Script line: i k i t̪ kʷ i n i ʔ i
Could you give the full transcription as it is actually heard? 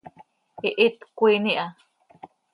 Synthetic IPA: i ʔ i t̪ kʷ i n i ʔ a